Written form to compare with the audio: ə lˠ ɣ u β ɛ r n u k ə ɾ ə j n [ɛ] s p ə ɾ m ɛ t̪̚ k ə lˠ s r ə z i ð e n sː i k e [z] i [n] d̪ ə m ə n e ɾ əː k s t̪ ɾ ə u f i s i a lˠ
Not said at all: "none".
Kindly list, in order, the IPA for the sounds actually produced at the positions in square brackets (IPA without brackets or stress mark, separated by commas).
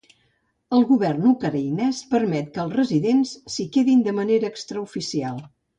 ɛ, ð, n